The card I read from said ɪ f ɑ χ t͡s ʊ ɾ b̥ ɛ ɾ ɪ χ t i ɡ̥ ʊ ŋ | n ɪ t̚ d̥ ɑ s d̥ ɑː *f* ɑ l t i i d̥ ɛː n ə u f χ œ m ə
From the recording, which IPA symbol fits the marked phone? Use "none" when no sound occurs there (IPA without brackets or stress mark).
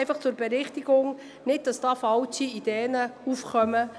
f